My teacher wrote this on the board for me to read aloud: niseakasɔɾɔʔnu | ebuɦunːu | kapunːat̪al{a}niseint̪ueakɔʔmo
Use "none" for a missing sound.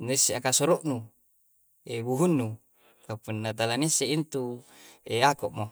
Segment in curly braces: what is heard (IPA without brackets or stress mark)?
a